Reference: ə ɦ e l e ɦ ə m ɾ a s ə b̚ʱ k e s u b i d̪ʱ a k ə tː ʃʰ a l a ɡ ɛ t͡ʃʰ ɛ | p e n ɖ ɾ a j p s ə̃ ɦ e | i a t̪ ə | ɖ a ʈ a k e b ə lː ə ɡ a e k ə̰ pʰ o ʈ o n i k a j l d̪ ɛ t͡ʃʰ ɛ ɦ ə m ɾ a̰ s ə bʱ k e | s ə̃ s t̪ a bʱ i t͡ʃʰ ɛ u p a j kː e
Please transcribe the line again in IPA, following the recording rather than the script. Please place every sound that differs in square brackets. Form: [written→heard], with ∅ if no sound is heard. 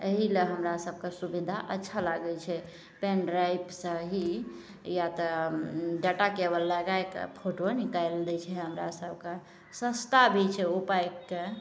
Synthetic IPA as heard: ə ɦ [e→i] l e ɦ ə m ɾ a s ə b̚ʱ k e s u b i d̪ʱ a [k→ʔ] ə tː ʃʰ a l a ɡ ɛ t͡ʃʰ ɛ | p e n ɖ ɾ a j p s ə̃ ɦ [e→i] | [i→j] a t̪ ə | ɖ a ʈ a k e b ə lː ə ɡ a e k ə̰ pʰ o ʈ o n i k a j l d̪ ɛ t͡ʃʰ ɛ ɦ ə m ɾ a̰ s ə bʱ k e | s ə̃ s t̪ a bʱ i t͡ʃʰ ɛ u p a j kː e